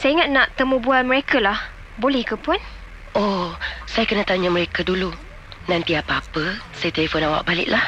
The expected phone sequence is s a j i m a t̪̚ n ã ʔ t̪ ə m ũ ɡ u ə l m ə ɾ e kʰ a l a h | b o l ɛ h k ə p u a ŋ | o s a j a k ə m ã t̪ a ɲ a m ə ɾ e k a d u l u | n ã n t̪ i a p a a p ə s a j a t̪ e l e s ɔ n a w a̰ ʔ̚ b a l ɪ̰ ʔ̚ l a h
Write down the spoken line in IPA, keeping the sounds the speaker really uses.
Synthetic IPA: s a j i ŋ a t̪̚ n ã ʔ t̪ ə m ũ b u a l m ə ɾ e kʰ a l a h | b o l ɛ h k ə p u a n | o s a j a k ə n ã t̪ a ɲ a m ə ɾ e k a d u l u | n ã n t̪ i a p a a p ə s a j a t̪ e l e f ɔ n a w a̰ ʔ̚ b a l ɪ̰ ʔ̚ l a h